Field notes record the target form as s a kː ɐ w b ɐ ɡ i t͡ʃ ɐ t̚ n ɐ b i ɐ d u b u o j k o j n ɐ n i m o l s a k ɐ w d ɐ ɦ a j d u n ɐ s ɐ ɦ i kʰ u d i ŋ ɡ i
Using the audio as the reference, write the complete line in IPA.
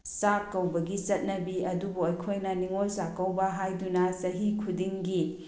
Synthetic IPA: s a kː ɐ w b ɐ ɡ i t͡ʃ ɐ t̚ n ɐ b i ɐ d u b u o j kʰ o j n ɐ n i ŋ o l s a k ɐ w b ɐ ɦ a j d u n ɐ s ɐ ɦ i kʰ u d i ŋ ɡ i